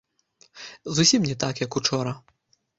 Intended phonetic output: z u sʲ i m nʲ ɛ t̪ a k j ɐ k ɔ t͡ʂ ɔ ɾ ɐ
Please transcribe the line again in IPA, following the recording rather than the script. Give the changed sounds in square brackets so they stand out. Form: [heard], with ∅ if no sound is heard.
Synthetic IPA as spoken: z u sʲ i m nʲ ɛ t̪ a k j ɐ k [u] t͡ʂ ɔ ɾ ɐ